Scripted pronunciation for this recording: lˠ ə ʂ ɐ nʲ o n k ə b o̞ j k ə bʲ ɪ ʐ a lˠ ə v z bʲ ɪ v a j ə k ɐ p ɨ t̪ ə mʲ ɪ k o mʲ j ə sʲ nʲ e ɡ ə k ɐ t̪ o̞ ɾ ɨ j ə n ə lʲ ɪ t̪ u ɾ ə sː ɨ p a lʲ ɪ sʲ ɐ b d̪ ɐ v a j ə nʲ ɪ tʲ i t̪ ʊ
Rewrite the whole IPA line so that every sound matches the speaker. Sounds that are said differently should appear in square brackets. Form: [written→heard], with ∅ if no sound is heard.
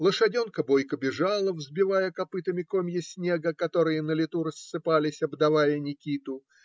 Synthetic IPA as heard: lˠ ə ʂ ɐ [nʲ→dʲ] o n k ə b o̞ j k ə bʲ ɪ ʐ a lˠ ə v z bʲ ɪ v a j ə k ɐ p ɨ t̪ ə mʲ ɪ k o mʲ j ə sʲ nʲ e ɡ ə k ɐ t̪ o̞ ɾ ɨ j ə n ə lʲ ɪ t̪ u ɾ ə sː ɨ p a lʲ ɪ sʲ ɐ b d̪ ɐ v a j ə nʲ ɪ [tʲ→kʲ] i t̪ ʊ